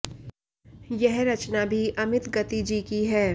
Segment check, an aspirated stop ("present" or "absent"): absent